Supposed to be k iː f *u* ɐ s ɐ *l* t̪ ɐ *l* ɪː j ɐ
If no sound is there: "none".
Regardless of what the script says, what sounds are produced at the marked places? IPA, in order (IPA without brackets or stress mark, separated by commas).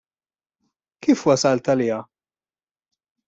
w, l, l